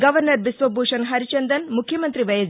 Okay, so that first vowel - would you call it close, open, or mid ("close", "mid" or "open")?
open